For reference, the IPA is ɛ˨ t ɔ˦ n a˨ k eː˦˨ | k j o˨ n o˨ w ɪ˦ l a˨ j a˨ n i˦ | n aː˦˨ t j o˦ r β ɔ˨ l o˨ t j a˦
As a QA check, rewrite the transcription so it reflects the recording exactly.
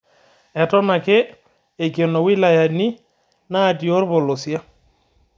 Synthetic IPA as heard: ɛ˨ t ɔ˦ n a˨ k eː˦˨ | k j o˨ n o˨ w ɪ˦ l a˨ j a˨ n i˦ | n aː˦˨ t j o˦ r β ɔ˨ l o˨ s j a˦